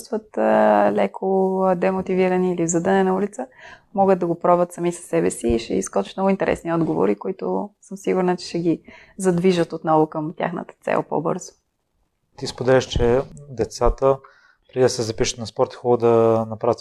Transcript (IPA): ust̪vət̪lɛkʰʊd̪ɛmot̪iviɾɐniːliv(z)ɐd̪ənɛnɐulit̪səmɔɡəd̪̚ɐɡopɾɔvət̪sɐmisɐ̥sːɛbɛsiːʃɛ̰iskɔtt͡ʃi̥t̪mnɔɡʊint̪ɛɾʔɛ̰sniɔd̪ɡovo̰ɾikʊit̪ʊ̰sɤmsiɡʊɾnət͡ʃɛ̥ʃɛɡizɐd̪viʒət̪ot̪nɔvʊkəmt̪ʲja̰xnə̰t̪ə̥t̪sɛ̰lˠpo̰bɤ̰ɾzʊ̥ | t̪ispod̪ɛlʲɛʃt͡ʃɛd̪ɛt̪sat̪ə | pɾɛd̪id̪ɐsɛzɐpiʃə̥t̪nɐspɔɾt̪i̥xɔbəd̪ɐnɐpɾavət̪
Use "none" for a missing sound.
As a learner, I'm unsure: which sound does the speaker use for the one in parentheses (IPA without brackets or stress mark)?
z